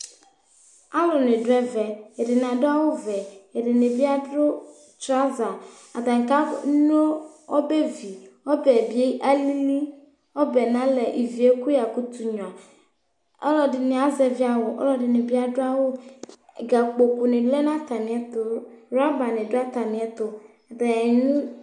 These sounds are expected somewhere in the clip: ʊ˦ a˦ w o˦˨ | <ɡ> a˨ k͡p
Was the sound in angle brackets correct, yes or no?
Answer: yes